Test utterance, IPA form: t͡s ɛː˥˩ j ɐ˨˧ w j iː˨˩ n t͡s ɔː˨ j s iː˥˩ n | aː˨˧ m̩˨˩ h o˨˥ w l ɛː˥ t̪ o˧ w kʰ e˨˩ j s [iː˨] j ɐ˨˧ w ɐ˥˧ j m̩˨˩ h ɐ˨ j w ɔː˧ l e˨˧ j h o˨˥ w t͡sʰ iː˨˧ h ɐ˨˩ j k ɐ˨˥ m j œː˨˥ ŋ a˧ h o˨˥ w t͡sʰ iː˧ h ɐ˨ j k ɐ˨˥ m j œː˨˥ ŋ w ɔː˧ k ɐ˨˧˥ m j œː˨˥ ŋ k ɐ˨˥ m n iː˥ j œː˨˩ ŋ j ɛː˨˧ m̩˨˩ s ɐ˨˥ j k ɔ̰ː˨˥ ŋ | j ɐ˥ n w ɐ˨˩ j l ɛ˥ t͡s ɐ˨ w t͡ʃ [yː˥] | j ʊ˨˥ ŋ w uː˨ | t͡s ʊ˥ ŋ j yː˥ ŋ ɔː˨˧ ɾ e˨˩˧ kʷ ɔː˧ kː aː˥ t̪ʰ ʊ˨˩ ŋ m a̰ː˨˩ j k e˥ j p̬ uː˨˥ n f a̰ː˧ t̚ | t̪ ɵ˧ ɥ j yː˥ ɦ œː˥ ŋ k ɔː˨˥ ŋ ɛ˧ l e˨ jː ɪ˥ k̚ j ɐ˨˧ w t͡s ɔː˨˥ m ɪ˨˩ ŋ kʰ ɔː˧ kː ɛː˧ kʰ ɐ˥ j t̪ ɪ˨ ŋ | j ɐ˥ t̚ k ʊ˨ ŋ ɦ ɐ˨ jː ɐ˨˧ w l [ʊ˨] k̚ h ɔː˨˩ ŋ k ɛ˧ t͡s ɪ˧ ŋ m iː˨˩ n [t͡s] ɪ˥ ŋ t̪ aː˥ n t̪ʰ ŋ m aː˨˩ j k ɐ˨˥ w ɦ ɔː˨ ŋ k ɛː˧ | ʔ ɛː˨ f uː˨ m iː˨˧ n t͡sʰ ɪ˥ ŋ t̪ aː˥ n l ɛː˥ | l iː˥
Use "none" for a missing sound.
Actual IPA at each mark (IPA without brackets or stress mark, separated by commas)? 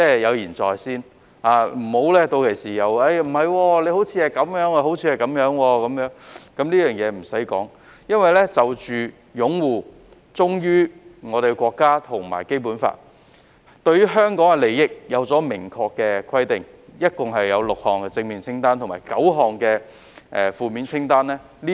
iː˨, yː˨, ʊ˨, t͡sʰ